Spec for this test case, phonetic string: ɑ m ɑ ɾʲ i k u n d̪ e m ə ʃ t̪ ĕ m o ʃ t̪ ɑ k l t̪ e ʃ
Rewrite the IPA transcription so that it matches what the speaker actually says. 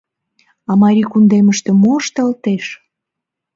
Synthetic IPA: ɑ m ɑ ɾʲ i k u n d̪ e m ə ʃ t̪ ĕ m o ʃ t̪ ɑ l t̪ e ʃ